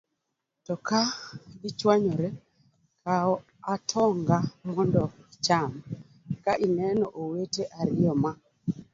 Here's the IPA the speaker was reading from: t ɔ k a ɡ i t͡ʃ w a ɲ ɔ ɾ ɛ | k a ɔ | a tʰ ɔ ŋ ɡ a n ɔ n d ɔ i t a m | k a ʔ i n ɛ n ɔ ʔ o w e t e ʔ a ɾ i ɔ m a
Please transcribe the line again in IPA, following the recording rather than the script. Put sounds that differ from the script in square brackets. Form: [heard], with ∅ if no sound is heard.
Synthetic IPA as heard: t ɔ k a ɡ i t͡ʃ w a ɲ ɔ ɾ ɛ | k a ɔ | a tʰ ɔ ŋ ɡ a [m] ɔ n d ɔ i [t͡ʃ] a m | k a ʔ i n ɛ n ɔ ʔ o w e t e ʔ a ɾ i ɔ m a